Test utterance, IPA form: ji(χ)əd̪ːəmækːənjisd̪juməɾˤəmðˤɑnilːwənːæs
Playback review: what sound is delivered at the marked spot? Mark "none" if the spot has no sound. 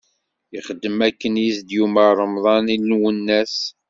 χ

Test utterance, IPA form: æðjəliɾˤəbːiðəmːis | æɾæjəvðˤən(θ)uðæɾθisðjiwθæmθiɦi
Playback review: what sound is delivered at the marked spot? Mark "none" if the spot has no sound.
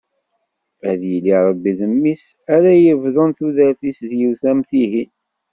θ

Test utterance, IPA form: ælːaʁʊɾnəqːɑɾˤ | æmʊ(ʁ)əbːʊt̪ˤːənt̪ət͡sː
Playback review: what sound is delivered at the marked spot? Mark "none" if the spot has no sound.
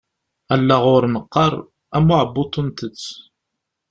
ʕ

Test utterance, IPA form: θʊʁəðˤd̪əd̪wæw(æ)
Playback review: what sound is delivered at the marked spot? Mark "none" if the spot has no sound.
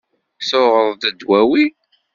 i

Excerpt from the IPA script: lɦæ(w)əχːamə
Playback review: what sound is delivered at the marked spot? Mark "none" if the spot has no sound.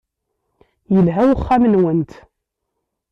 w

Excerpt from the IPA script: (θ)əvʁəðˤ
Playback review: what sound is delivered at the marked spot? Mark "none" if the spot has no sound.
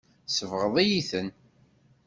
s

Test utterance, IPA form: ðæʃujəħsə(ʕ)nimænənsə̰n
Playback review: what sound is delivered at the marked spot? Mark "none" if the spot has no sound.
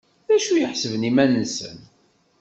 v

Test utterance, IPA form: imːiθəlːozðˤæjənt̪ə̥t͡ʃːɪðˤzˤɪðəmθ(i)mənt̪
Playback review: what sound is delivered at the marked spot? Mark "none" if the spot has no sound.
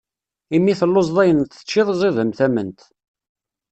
æ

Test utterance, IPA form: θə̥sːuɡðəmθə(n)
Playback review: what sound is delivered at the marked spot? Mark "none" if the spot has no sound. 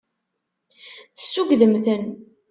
n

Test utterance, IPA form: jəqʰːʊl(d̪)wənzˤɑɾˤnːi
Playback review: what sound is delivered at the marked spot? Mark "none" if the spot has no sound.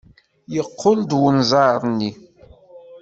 d̪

